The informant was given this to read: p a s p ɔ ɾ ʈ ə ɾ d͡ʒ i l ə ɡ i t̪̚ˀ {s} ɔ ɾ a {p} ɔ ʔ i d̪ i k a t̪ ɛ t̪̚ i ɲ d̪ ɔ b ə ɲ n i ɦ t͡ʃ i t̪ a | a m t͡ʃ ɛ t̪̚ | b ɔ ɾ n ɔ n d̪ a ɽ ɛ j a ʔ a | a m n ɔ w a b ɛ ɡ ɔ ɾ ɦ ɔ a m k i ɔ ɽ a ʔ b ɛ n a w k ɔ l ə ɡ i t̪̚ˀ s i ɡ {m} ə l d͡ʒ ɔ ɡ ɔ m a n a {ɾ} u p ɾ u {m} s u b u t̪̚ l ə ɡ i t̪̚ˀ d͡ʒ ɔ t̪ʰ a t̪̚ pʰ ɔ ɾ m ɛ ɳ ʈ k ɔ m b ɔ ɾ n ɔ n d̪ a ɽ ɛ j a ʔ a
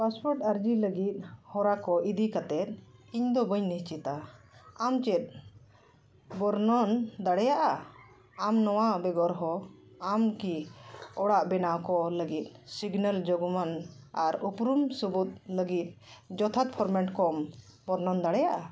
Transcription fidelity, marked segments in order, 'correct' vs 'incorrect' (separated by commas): incorrect, incorrect, incorrect, correct, correct